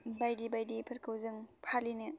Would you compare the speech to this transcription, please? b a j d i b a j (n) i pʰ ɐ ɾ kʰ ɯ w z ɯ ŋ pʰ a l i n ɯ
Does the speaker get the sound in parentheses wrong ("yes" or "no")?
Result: yes